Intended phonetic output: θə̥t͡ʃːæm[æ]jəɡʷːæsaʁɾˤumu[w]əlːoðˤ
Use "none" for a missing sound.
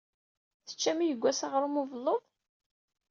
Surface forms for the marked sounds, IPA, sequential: i, v

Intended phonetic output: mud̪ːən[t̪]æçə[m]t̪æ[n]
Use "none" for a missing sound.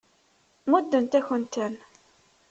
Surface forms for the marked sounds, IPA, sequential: t̪, n, n

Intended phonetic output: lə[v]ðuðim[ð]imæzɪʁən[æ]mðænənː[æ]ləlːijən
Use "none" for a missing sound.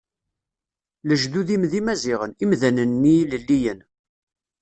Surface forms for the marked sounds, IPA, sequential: ʒ, ð, i, i

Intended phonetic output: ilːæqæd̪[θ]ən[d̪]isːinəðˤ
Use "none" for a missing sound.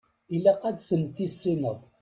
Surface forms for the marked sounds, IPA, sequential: θ, t̪

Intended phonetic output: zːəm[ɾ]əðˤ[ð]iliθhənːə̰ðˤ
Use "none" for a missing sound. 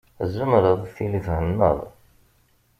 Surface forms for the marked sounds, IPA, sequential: ɾ, θ

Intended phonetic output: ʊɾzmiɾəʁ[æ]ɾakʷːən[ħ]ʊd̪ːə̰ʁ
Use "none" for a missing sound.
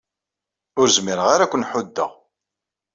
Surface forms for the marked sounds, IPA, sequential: a, ħ

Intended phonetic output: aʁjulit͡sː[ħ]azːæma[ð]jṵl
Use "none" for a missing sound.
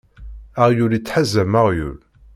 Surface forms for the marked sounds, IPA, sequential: ħ, ʁ

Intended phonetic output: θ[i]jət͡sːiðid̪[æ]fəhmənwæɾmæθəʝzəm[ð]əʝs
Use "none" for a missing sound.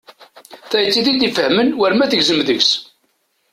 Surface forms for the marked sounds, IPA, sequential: æ, i, ð

